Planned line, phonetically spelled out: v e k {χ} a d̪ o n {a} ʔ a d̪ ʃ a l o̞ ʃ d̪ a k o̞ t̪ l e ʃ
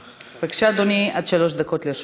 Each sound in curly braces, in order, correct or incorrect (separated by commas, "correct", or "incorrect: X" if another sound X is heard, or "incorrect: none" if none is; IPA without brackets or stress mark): incorrect: ʃ, incorrect: i